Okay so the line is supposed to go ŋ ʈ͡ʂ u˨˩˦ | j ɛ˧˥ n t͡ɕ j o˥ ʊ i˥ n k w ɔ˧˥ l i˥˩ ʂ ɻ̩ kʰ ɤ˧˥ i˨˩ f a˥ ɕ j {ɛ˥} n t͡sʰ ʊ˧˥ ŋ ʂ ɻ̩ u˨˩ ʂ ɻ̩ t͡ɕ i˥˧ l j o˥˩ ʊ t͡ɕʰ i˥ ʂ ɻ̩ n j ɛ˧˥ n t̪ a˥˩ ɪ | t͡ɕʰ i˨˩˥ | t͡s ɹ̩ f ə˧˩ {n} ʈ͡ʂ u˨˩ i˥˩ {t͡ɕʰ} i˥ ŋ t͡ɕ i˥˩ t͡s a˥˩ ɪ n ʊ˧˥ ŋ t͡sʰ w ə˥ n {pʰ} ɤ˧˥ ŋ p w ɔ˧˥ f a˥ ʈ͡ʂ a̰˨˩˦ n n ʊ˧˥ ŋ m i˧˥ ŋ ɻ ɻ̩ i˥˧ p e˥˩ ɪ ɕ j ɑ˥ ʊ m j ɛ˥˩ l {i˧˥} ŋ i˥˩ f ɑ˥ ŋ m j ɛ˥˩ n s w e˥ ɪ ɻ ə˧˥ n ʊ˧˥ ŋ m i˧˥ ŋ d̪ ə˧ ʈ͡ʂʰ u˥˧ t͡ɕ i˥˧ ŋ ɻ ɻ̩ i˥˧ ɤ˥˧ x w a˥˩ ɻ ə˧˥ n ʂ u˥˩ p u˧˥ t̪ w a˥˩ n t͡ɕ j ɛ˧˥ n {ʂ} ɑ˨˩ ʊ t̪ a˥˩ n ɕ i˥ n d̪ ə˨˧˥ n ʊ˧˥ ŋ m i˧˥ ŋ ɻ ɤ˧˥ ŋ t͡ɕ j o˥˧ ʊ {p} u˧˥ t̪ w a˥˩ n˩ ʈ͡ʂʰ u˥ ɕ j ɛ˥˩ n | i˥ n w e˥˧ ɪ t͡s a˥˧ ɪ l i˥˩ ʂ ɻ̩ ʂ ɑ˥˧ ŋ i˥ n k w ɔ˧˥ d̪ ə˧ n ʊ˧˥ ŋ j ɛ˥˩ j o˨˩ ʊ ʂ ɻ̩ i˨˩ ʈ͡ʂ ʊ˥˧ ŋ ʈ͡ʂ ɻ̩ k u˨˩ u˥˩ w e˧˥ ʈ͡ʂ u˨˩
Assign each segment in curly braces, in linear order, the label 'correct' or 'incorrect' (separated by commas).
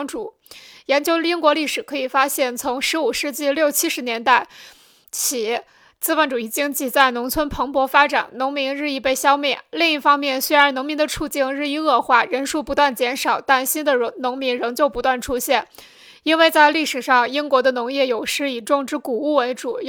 incorrect, correct, incorrect, correct, incorrect, correct, correct